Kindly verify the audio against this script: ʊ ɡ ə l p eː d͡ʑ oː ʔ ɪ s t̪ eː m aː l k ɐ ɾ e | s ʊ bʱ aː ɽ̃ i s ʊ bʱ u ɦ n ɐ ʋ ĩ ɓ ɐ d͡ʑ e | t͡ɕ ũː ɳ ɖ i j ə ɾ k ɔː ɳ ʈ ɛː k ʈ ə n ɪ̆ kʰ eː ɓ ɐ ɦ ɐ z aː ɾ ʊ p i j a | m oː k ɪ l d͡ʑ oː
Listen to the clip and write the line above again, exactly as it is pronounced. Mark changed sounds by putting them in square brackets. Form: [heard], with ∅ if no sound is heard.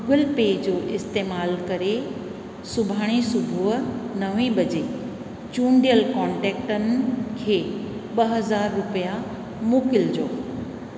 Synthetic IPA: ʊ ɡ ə l p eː d͡ʑ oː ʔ ɪ s t̪ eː m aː l k ɐ ɾ e | s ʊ bʱ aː ɽ̃ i s ʊ bʱ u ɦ n ɐ ʋ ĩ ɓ ɐ d͡ʑ e | t͡ɕ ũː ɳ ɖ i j ə [l] k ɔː ɳ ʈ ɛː k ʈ ə n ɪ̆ kʰ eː ɓ ɐ ɦ ɐ z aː [ɾː] ʊ p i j a | m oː k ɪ l d͡ʑ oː